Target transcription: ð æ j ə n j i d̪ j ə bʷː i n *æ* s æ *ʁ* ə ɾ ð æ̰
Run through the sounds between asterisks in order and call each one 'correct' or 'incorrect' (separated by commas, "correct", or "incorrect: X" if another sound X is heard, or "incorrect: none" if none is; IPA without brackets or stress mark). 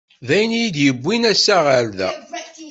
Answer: correct, correct